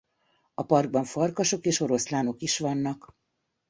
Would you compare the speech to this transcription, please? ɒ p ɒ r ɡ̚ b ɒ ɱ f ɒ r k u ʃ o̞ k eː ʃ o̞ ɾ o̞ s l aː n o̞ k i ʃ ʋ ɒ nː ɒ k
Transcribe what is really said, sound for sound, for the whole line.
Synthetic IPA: ɒ p ɒ r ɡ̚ b ɒ ɱ f ɒ r k ɒ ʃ o̞ k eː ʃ o̞ ɾ o̞ s l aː n o̞ k i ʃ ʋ ɒ nː ɒ k